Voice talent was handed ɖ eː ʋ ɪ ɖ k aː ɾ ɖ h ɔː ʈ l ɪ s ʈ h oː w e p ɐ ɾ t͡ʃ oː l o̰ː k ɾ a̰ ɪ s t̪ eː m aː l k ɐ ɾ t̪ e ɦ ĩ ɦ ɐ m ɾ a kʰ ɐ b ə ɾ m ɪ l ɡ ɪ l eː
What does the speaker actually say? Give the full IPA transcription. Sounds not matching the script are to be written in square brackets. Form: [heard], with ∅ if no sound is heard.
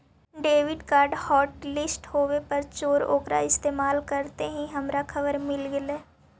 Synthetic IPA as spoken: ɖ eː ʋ ɪ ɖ k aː ɾ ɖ h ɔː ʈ l ɪ s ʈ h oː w e p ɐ ɾ t͡ʃ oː [ɾ] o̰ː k ɾ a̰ ɪ s t̪ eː m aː l k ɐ ɾ t̪ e ɦ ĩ ɦ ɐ m ɾ a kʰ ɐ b ə ɾ m ɪ l ɡ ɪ l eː